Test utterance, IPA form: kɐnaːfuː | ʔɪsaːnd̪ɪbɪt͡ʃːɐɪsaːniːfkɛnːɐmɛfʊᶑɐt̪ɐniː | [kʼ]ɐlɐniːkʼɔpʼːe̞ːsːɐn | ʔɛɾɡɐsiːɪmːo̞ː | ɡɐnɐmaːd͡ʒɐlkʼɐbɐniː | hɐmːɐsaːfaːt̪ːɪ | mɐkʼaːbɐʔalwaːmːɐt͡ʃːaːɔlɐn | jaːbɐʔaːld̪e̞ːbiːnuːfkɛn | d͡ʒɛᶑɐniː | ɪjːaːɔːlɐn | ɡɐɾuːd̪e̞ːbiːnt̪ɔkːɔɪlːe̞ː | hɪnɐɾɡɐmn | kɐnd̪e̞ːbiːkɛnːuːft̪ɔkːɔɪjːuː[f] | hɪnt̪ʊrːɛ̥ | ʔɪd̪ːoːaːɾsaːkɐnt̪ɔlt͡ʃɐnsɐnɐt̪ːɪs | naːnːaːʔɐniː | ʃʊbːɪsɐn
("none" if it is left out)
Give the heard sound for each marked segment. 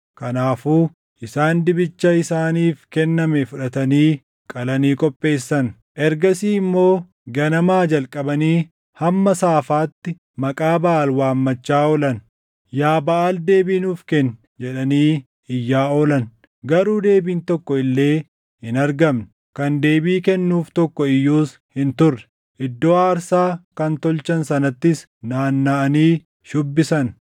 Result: kʼ, s

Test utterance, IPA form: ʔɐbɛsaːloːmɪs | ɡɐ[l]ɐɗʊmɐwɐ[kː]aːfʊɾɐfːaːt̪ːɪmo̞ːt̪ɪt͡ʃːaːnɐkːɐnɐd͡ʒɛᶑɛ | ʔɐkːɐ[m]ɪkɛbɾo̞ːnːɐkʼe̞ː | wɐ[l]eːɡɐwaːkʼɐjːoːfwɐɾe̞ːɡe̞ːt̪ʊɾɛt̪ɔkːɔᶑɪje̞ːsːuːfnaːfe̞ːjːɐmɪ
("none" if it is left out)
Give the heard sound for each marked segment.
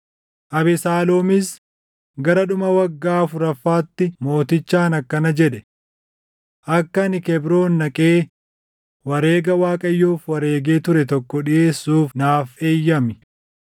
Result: ɾ, ɡː, n, ɾ

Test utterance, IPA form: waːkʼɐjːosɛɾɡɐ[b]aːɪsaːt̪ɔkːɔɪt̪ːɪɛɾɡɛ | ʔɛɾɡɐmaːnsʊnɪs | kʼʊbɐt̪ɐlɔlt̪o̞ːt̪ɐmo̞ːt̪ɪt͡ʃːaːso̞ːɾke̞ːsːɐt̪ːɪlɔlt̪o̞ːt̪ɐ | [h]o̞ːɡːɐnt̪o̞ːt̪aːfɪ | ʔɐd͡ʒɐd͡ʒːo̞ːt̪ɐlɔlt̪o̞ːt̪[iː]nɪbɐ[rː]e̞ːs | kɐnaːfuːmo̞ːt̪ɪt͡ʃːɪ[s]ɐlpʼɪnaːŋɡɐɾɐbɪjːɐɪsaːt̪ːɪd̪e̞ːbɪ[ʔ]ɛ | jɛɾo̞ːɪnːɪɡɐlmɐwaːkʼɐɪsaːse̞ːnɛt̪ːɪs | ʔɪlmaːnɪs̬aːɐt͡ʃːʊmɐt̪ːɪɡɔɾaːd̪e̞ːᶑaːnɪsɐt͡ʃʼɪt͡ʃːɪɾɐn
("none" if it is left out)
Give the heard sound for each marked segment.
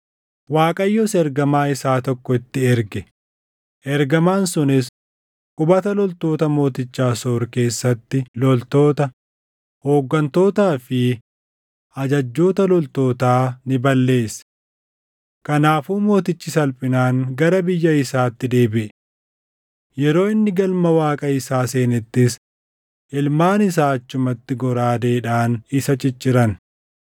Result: m, h, aː, lː, s, ʔ

